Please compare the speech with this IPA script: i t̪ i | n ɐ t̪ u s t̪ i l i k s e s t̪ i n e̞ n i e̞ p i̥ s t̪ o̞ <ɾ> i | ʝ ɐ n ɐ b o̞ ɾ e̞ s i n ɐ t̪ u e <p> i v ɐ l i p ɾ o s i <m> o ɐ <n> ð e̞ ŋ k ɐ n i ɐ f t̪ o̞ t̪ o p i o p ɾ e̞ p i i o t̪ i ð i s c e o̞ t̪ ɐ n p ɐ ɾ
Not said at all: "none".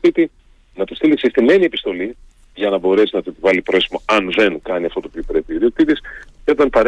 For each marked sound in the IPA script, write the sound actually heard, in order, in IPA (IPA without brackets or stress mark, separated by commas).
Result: l, p, m, n